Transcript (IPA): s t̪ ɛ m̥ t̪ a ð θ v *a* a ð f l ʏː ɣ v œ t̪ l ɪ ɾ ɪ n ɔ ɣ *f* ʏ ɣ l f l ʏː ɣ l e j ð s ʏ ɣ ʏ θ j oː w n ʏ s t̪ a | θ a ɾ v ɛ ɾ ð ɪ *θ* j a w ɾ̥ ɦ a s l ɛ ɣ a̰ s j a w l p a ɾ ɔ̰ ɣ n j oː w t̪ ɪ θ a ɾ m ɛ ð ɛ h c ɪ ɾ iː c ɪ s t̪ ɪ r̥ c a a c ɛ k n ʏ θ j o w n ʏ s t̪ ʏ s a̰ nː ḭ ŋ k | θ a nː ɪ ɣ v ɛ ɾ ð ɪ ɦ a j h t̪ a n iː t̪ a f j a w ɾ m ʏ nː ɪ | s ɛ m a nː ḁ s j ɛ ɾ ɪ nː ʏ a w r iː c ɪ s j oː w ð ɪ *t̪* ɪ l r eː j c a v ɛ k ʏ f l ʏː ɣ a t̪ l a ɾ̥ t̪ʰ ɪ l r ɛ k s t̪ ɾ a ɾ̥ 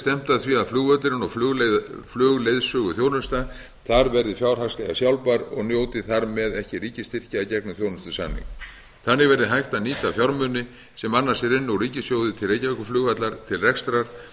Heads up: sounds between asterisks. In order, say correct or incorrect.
incorrect: i, correct, incorrect: f, incorrect: t̪ʰ

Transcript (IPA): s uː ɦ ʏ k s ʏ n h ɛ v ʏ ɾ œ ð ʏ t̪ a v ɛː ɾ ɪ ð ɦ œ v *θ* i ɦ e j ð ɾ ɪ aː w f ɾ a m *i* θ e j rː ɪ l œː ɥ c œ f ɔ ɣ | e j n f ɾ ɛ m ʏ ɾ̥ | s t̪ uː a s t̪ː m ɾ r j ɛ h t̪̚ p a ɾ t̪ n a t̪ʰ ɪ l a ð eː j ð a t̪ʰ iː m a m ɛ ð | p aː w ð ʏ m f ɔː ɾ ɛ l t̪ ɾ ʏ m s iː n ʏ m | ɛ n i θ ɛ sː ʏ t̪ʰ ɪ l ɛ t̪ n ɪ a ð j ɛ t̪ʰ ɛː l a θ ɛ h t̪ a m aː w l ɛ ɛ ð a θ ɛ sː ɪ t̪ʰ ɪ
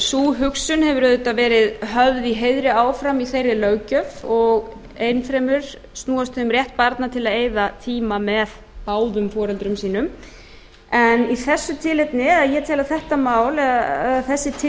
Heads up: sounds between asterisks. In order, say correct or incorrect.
incorrect: ð, correct

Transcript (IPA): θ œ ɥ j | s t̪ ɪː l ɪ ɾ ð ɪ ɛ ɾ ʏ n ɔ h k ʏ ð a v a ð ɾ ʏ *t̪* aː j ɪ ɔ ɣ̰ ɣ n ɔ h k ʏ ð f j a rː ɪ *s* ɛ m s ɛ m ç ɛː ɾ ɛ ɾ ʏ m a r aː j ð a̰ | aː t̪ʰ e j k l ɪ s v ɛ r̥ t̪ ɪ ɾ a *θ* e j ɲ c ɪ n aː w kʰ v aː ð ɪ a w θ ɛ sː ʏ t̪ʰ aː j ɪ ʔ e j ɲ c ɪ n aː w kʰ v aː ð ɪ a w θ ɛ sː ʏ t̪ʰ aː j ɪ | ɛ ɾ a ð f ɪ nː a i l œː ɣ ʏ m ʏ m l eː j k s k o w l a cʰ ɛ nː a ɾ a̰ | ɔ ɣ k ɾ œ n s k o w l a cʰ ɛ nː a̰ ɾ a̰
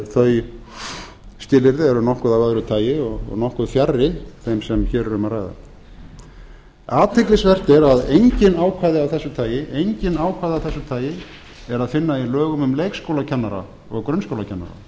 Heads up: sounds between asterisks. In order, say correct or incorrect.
incorrect: t̪ʰ, incorrect: θ, incorrect: ð

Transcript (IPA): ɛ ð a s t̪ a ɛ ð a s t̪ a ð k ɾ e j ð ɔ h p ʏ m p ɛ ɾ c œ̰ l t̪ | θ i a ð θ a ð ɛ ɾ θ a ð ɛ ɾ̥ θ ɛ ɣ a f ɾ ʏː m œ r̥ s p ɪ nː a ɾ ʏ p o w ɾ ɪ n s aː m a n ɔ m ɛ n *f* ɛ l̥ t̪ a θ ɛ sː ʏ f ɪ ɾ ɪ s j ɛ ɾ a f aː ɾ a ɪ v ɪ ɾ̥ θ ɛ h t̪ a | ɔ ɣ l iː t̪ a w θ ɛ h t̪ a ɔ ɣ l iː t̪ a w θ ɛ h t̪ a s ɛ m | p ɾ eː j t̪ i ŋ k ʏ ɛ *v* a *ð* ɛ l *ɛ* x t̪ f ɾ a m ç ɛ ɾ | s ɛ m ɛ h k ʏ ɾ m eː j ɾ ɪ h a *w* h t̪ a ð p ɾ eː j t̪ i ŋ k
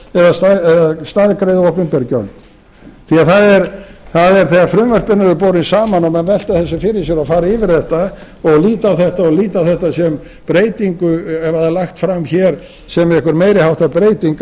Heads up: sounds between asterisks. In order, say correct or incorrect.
incorrect: v, correct, correct, incorrect: a, correct

